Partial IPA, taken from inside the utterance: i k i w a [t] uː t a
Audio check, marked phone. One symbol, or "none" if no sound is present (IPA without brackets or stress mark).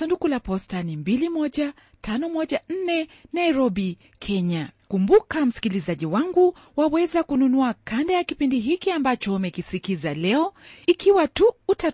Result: t